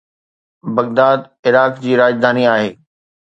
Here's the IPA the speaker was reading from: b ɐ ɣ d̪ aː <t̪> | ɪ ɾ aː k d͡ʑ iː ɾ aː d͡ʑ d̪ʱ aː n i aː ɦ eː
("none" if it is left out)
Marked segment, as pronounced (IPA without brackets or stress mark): d̪